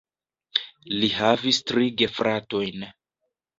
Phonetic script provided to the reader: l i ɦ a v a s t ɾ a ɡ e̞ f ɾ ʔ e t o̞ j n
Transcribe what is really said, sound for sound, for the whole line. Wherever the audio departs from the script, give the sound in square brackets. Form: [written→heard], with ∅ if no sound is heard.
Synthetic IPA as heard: l i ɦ a v [a→i] s t ɾ [a→i] ɡ e̞ f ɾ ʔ [e→a] t o̞ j n